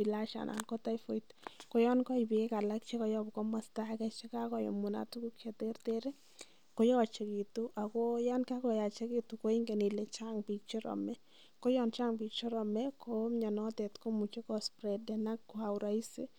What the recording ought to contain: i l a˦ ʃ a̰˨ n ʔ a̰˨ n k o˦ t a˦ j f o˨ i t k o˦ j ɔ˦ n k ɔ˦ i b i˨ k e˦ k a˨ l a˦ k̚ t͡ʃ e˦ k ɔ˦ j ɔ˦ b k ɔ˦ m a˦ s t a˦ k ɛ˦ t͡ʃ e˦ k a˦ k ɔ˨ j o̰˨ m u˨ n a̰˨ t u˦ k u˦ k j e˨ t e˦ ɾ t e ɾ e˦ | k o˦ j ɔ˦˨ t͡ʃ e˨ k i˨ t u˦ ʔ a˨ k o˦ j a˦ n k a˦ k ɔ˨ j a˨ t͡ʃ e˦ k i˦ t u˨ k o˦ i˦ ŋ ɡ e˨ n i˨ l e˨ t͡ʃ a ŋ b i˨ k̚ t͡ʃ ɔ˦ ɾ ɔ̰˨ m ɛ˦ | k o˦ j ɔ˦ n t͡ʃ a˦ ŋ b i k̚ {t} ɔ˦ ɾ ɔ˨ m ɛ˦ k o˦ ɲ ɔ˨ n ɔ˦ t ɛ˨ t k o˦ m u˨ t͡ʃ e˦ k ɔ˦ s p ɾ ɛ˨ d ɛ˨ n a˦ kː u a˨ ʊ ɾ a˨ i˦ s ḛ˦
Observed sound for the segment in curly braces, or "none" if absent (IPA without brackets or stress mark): t͡ʃ